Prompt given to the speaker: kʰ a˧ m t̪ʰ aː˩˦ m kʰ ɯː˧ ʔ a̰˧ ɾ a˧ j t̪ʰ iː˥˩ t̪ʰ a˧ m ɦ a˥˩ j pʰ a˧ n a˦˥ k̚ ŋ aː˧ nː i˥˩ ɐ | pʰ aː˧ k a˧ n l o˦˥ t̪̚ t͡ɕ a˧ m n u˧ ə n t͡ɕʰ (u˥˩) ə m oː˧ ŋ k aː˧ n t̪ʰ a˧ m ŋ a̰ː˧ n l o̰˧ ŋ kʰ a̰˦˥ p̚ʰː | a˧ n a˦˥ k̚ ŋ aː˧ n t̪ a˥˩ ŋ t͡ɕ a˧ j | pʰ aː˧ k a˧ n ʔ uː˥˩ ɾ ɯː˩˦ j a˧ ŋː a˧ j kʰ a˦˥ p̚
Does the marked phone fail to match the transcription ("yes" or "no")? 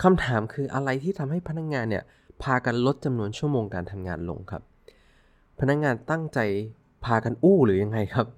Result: no